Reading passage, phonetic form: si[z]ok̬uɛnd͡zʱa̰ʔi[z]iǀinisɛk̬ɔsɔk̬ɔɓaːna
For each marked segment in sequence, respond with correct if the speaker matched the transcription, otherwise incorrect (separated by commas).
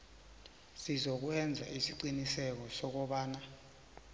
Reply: correct, incorrect